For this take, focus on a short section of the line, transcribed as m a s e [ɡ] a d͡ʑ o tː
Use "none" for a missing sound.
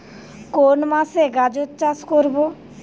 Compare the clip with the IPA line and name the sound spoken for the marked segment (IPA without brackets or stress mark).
ɡ